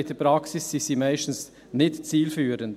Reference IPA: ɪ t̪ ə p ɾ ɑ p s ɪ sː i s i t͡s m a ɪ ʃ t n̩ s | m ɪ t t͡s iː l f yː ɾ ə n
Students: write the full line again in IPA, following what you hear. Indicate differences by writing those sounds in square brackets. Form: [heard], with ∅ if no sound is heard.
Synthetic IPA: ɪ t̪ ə p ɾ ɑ [k] s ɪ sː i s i [∅] m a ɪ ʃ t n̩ s | [n] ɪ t t͡s iː l f yː ɾ ə n